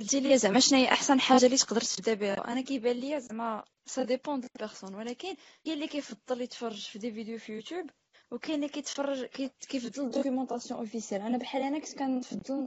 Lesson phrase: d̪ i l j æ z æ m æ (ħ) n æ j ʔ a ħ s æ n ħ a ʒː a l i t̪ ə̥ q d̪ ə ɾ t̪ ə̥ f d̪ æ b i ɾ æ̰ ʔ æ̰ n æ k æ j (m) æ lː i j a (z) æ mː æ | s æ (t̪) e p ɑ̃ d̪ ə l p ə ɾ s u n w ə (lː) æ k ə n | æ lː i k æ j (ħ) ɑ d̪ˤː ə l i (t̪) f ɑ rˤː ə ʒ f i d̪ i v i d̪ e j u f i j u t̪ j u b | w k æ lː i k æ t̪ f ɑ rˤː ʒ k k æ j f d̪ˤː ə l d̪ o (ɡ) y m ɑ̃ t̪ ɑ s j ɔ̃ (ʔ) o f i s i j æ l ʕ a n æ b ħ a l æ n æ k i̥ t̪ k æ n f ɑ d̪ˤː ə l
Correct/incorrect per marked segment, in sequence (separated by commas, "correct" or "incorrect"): incorrect, incorrect, correct, incorrect, incorrect, incorrect, correct, incorrect, correct